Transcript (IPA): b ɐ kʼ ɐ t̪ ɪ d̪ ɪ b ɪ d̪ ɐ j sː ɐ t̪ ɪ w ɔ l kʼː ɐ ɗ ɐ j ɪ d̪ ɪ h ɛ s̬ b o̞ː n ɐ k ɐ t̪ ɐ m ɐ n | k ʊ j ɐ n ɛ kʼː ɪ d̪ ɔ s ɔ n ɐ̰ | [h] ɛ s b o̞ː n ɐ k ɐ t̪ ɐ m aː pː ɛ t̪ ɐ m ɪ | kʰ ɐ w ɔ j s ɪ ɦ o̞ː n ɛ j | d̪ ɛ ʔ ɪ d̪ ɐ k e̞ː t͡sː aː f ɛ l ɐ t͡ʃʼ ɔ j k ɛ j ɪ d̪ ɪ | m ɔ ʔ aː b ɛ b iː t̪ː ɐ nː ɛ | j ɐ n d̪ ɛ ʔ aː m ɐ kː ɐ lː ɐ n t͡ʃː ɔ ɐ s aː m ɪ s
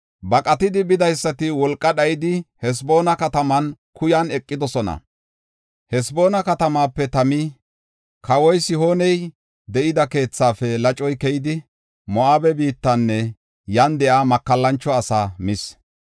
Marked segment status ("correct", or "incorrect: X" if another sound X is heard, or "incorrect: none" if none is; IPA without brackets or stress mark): correct